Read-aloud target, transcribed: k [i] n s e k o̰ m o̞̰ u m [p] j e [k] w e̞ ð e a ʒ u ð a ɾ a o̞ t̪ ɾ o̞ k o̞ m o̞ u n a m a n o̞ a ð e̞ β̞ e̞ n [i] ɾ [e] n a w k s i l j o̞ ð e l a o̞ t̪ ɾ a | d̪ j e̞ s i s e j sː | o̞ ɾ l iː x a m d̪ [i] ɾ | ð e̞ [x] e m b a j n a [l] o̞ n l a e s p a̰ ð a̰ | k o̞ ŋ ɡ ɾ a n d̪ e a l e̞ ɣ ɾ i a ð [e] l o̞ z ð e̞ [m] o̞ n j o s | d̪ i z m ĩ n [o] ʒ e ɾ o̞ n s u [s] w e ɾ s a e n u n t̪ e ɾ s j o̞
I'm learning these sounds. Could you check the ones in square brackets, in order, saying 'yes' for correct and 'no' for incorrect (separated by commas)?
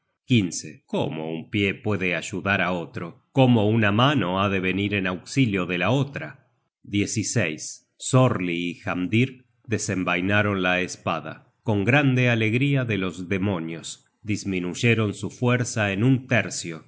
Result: yes, yes, no, yes, yes, yes, no, no, yes, yes, no, no